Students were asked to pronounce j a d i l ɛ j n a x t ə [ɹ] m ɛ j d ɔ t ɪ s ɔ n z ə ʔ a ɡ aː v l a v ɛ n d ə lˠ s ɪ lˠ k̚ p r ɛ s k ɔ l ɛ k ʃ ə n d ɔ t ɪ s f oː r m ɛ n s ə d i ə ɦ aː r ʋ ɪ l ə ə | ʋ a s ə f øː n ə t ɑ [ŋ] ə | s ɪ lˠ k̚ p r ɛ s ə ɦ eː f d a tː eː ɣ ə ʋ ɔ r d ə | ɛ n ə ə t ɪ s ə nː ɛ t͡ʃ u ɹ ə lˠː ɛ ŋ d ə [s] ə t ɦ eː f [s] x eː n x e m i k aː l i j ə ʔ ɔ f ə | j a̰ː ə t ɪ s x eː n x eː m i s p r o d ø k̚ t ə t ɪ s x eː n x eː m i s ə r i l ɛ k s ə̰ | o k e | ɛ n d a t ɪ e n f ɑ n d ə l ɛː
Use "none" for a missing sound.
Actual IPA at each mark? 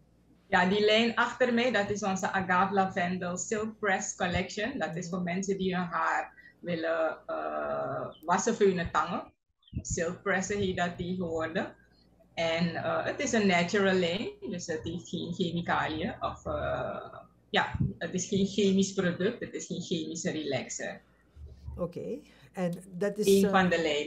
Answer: r, ŋ, s, t

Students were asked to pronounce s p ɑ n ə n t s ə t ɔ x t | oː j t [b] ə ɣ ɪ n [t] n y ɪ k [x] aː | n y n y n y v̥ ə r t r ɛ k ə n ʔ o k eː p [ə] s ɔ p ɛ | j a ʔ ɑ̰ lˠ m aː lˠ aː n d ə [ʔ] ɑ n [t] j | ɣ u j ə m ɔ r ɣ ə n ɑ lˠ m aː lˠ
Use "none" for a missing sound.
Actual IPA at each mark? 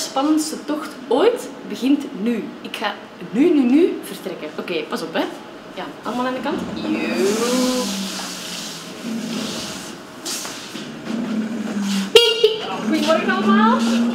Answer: b, t, x, ɑ, k, t

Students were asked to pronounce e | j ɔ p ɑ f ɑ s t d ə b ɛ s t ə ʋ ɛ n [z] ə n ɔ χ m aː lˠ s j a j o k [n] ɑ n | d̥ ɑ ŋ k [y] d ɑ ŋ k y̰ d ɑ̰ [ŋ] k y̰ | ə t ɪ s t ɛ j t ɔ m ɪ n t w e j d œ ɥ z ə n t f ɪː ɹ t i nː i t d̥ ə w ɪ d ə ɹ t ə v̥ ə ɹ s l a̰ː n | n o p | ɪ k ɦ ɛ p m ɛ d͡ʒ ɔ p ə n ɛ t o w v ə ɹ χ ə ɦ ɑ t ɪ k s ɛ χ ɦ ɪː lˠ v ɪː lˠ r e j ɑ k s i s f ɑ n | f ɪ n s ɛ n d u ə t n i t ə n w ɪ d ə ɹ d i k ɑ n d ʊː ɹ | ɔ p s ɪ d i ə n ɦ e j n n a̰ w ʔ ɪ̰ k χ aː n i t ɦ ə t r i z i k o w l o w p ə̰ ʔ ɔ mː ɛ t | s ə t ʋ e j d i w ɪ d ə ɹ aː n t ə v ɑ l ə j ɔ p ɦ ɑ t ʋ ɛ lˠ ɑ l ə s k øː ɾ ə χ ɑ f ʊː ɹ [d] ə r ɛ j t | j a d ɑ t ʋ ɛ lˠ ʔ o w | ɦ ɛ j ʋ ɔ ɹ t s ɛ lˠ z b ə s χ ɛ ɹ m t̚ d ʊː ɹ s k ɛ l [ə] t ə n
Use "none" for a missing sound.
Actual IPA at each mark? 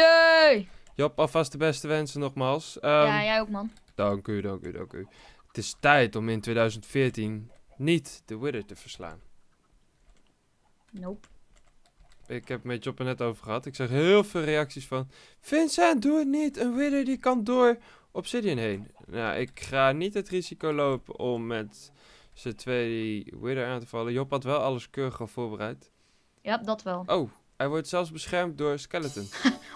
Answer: s, m, y, ŋ, b, ə

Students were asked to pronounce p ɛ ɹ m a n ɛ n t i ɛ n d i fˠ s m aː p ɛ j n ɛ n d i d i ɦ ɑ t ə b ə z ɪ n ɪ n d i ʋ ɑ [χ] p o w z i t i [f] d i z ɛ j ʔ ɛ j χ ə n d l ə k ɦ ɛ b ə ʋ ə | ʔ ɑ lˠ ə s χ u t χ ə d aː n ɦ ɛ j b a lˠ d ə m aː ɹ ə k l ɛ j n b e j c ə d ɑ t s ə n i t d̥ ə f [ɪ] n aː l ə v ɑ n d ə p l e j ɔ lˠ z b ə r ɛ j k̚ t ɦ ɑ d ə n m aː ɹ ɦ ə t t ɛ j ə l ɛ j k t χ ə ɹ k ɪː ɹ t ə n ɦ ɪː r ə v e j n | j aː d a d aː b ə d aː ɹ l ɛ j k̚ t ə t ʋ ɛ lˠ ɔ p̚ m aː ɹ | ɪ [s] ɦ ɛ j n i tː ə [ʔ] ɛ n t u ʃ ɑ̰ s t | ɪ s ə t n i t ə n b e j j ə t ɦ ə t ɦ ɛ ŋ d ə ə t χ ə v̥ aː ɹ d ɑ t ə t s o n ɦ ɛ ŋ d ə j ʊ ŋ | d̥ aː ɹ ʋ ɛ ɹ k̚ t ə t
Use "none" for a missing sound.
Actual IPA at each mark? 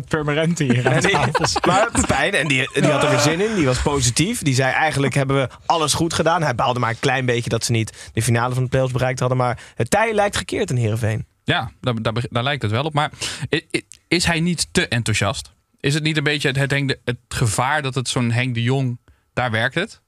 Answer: s, f, i, s, ʔ

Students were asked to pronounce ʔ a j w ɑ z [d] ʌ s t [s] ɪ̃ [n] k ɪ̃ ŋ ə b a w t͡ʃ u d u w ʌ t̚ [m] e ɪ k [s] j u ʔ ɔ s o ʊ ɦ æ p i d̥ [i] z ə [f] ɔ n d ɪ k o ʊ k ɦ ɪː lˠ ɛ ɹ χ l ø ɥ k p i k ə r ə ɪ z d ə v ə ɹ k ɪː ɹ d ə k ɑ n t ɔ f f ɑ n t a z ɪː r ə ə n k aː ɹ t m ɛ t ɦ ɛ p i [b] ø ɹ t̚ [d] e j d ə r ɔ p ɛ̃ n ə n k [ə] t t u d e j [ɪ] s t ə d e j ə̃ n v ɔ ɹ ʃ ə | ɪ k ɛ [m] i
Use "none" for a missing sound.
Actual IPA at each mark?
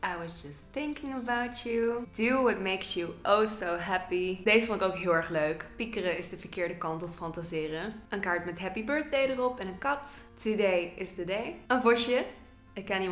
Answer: d͡ʒ, θ, ŋ, m, s, e, f, b, d, ɑ, ɪ, n

